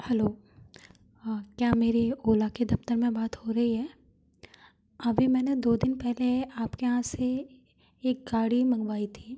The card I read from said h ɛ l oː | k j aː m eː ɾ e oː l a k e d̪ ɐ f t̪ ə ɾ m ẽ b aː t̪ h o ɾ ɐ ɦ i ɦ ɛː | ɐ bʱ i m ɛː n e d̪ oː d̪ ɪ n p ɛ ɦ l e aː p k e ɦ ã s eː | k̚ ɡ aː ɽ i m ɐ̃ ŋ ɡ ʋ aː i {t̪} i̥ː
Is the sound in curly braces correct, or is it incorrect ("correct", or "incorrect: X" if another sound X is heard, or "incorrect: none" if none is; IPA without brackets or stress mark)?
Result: incorrect: t̪ʰ